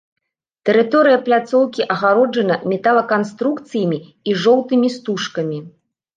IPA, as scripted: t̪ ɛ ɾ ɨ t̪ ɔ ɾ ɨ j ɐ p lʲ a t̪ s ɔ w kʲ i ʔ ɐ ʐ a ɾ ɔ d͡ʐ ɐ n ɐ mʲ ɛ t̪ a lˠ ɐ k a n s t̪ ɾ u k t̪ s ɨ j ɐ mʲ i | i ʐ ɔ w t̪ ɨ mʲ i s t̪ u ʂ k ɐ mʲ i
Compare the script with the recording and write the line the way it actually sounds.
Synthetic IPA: t̪ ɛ ɾ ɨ t̪ ɔ ɾ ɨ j ɐ p lʲ a t̪ s ɔ w kʲ i ʔ ɐ ɣ a ɾ ɔ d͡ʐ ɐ n ɐ mʲ ɛ t̪ a lˠ ɐ k a n s t̪ ɾ u k t̪ s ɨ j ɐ mʲ i | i ʐ ɔ w t̪ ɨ mʲ i s t̪ u ʂ k ɐ mʲ i